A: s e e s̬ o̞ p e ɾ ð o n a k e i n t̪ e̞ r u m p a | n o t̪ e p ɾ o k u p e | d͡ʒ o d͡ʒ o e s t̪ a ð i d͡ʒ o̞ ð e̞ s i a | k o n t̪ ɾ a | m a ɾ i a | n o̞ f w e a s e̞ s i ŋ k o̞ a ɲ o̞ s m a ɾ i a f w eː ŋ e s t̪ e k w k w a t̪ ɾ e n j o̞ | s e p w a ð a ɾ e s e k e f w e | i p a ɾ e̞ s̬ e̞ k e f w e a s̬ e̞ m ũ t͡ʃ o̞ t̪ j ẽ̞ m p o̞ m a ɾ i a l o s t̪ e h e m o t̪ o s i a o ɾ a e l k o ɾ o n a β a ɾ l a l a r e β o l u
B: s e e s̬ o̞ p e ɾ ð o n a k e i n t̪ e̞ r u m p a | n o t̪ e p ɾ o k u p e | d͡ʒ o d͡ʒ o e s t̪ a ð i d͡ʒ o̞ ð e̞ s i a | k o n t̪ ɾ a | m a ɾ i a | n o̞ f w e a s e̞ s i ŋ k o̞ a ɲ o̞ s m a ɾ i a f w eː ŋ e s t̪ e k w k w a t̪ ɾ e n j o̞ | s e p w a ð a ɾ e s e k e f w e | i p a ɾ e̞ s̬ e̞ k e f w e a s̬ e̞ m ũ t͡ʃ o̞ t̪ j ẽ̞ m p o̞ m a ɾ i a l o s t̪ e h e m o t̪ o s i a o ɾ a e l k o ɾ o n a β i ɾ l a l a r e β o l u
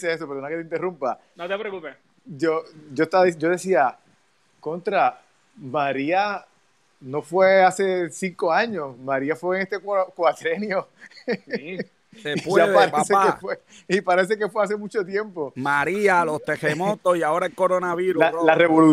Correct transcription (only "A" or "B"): B